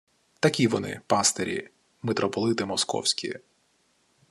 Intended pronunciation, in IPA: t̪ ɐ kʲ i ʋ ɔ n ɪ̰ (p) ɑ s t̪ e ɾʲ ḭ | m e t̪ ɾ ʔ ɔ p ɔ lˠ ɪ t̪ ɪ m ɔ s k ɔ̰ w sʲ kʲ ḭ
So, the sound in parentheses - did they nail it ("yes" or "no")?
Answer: yes